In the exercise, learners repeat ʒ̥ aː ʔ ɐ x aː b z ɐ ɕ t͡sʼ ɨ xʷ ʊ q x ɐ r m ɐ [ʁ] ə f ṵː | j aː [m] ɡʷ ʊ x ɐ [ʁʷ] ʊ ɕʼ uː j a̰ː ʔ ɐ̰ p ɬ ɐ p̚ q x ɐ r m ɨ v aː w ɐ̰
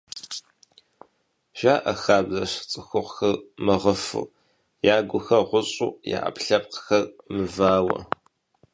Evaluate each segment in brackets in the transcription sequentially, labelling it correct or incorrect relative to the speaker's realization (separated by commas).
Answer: correct, incorrect, correct